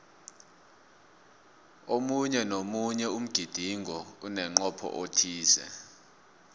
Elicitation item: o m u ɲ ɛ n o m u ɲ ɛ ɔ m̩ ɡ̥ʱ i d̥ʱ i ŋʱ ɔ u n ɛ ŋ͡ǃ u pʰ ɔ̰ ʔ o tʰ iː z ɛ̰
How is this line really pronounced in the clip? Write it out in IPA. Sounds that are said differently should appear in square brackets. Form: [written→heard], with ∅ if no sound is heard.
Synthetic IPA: o m u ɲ ɛ n o m u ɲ ɛ [ɔ→u] m̩ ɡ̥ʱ i d̥ʱ i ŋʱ ɔ u n ɛ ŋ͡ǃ [u→ɔ] pʰ ɔ̰ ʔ o tʰ iː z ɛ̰